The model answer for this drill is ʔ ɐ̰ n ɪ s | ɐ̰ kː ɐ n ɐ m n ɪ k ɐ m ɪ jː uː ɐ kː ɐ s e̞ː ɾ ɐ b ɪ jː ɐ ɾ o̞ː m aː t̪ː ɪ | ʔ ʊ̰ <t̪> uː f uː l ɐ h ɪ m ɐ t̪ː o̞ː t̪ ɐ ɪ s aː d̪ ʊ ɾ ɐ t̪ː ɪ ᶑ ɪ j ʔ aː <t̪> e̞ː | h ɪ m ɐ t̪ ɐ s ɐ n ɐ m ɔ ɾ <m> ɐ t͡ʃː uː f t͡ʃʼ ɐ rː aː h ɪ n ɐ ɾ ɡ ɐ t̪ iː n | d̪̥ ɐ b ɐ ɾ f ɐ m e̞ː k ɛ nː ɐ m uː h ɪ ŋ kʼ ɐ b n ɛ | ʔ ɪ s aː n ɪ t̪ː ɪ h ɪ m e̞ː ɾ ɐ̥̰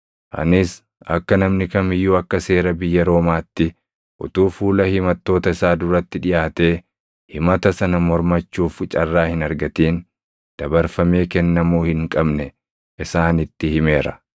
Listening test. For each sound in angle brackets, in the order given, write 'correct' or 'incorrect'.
correct, correct, correct

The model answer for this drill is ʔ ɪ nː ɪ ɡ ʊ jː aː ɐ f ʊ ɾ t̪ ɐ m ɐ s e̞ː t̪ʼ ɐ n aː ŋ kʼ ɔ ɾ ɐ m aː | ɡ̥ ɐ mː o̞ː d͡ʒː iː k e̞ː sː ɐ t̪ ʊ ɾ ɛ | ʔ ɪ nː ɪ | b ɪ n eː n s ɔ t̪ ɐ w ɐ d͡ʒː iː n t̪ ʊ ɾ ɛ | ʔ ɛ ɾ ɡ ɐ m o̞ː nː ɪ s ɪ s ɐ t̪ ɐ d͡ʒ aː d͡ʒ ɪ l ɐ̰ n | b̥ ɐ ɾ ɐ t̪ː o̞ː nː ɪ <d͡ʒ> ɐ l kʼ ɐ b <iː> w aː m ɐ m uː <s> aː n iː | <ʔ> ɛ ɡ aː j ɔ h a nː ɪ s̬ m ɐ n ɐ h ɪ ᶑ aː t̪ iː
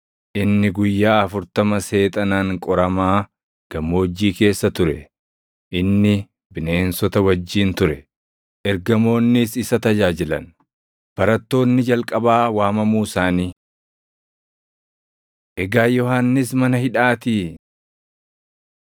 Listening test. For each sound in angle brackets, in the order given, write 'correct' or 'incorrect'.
correct, incorrect: aː, correct, correct

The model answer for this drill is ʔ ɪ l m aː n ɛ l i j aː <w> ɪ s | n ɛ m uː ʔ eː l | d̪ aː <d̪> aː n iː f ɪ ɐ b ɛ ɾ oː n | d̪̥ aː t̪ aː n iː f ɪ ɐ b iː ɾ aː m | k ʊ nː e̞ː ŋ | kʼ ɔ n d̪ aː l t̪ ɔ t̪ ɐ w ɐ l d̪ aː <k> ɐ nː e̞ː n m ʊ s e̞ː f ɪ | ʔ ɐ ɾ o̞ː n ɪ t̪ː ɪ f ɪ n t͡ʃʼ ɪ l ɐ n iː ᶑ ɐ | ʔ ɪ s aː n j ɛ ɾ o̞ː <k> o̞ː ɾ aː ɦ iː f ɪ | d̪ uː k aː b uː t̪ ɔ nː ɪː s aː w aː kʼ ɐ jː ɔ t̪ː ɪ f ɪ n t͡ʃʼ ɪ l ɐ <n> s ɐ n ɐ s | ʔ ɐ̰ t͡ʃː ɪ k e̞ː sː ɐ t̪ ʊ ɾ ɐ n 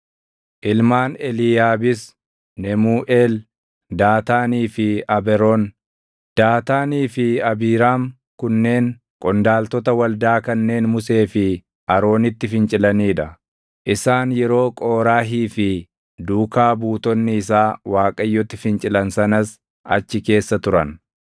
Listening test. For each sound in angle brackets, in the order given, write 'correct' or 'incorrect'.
incorrect: b, incorrect: t̪, correct, incorrect: kʼ, correct

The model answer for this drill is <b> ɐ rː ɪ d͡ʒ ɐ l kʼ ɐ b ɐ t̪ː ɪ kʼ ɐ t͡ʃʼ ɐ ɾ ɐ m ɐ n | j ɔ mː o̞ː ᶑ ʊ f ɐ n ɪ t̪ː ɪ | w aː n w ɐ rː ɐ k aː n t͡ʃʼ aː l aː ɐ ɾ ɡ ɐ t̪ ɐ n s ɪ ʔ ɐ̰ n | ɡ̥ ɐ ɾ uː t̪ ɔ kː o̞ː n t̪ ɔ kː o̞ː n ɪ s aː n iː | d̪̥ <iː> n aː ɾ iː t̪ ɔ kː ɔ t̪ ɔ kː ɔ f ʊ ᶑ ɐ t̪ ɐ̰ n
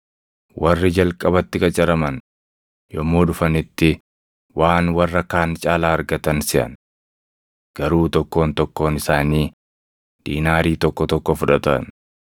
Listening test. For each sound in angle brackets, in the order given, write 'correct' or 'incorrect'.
incorrect: w, correct

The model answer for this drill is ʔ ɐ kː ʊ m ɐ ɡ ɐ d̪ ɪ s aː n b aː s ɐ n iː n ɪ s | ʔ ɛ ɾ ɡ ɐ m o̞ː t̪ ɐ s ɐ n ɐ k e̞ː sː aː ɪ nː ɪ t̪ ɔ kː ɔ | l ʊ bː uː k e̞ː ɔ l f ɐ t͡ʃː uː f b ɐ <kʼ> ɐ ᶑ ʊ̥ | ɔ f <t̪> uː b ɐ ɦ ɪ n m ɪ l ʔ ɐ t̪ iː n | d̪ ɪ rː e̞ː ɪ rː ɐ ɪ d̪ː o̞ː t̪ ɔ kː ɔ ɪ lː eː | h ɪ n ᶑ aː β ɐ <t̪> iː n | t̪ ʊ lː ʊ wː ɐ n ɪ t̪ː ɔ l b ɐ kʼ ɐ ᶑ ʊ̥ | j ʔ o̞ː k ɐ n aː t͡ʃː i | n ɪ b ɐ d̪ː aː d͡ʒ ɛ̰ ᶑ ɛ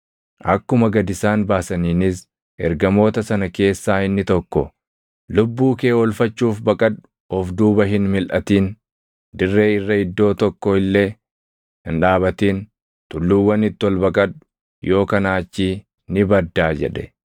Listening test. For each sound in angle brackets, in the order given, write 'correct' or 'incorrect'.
correct, incorrect: d̪, correct

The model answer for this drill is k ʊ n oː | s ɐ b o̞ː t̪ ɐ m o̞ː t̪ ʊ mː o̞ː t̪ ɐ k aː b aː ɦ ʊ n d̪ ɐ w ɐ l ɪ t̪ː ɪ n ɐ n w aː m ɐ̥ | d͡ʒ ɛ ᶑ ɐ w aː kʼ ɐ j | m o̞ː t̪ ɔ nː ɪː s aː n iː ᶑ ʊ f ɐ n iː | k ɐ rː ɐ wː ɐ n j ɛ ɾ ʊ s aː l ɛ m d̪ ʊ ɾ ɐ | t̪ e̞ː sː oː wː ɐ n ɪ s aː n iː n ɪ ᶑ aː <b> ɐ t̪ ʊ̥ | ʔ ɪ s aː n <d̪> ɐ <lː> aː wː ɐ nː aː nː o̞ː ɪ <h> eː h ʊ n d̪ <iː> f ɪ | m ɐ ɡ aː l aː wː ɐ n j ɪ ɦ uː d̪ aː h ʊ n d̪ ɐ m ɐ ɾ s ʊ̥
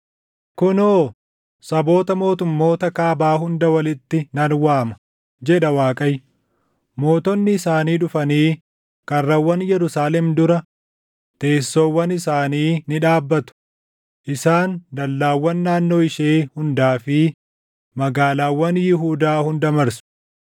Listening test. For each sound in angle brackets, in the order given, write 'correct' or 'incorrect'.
incorrect: bː, correct, correct, incorrect: ʃ, incorrect: aː

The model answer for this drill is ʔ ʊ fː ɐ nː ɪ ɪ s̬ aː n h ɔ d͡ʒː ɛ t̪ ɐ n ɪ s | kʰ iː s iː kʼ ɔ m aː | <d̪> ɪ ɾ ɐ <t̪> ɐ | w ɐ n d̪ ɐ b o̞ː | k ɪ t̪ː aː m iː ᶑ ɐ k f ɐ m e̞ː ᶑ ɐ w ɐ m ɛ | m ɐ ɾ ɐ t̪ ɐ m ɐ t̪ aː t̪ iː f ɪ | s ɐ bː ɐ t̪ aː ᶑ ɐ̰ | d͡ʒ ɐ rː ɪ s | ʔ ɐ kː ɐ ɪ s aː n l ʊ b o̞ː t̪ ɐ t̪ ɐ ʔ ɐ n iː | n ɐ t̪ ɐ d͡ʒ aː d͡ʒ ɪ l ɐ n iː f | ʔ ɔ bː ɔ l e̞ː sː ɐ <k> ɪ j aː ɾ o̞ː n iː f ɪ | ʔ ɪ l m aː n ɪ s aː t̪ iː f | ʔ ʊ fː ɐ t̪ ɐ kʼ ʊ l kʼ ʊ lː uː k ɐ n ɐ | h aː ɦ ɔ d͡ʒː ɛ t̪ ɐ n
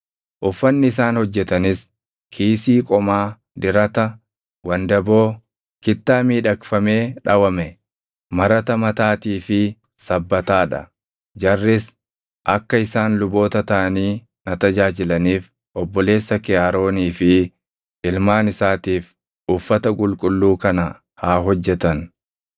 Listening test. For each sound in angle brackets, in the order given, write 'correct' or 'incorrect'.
correct, correct, correct

